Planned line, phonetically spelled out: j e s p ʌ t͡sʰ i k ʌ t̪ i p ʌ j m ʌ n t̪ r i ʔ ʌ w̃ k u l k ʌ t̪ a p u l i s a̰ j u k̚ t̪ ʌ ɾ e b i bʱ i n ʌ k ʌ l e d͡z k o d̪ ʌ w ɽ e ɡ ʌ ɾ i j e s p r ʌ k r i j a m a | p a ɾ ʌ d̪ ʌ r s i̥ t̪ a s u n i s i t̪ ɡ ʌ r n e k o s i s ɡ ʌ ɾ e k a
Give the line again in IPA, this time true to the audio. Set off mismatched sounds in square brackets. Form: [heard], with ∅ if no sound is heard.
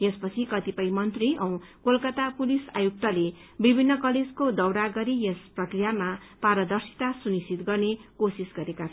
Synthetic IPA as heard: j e s p ʌ t͡sʰ i k ʌ t̪ i p ʌ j m ʌ n t̪ r i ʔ ʌ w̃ k [o] l k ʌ t̪ a p u l i s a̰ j u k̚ t̪ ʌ [l] e b i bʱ i [nː] ʌ k ʌ l e d͡z k o d̪ ʌ w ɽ [a] ɡ ʌ ɾ i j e s p r ʌ k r i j a m a | p a ɾ ʌ d̪ ʌ r s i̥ t̪ a s u n i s i t̪ ɡ ʌ r n e k o s i s ɡ ʌ ɾ e k a

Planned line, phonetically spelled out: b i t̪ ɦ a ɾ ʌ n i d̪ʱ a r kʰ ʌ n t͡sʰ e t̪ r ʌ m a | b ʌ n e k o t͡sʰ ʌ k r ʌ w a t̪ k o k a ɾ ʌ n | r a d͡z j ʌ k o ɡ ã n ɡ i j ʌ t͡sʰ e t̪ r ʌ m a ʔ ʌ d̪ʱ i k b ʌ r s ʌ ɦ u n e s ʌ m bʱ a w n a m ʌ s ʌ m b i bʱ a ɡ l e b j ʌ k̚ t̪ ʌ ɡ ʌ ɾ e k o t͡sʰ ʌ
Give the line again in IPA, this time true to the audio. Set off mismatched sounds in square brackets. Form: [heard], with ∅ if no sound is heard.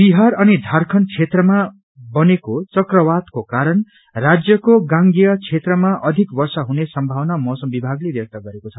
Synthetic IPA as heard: b i [∅] ɦ a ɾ ʌ n i d̪ʱ a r kʰ ʌ n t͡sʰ e t̪ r ʌ m a | b ʌ n e k o [t͡s] ʌ k r ʌ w a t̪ k o k a ɾ ʌ n | r a d͡z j ʌ k o ɡ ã [ŋ] ɡ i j ʌ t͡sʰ e t̪ r ʌ m a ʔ ʌ d̪ʱ i k b ʌ r s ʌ ɦ u n e s ʌ m bʱ a w n a m ʌ s ʌ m b i bʱ a ɡ l e b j ʌ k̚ t̪ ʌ ɡ ʌ ɾ e k o t͡sʰ ʌ

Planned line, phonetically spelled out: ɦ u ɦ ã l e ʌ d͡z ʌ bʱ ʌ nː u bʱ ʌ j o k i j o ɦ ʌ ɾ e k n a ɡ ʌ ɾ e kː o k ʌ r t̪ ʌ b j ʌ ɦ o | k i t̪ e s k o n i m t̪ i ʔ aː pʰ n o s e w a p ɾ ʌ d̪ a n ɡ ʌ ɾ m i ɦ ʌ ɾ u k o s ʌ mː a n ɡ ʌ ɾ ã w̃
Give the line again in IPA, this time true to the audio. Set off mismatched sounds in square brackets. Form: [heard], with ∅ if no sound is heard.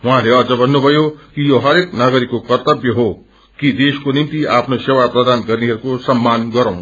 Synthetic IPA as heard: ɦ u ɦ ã l e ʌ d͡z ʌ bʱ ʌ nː u bʱ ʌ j o k i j o ɦ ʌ ɾ e k n a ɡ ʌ ɾ [i] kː o k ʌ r t̪ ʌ b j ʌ ɦ o | k i [d̪] e s k o n i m t̪ i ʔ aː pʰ n o s e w a p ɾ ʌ d̪ a n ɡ ʌ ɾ [n] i ɦ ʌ ɾ u k o s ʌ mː a n ɡ ʌ ɾ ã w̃

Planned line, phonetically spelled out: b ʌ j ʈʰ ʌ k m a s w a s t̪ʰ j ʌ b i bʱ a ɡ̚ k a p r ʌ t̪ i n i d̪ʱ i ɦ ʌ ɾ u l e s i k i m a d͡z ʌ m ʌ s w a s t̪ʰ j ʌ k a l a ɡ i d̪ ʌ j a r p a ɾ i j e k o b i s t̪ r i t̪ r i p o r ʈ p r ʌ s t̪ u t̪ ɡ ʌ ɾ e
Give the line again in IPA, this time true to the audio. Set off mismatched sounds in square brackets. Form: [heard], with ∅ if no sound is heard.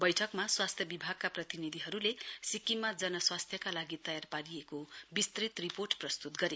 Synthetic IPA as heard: b ʌ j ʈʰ ʌ k m a s w a s t̪ʰ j ʌ b i bʱ a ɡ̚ k a p r ʌ t̪ i n i d̪ʱ i ɦ ʌ ɾ u l e s i k i m a d͡z ʌ [n] ʌ s w a s t̪ʰ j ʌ k a l a ɡ i [t̪] ʌ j a r p a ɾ i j e k o b i s t̪ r i t̪ r i p o r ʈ p r ʌ s t̪ u t̪ ɡ ʌ ɾ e

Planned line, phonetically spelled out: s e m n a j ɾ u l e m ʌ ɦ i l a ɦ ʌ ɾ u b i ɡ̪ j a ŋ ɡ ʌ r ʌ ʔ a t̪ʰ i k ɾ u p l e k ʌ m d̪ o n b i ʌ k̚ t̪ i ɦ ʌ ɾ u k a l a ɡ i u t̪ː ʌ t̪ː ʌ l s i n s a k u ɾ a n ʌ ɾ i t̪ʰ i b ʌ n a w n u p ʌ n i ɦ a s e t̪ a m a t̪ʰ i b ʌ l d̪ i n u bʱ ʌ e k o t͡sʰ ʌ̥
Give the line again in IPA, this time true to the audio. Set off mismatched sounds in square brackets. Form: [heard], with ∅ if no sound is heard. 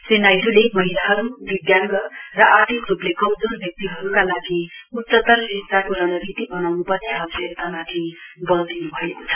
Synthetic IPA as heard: s e [∅] n a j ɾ u l e m ʌ ɦ i l a ɦ ʌ ɾ u b i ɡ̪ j a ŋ ɡ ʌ r ʌ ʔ a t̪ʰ i k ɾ u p l e k ʌ m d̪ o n b [j] ʌ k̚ t̪ i ɦ ʌ ɾ u k a l a ɡ i u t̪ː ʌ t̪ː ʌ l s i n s a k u ɾ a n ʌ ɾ i [t̪] i b ʌ n a w n u p ʌ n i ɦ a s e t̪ a m a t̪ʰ i b ʌ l d̪ i n u bʱ ʌ e k o t͡sʰ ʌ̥

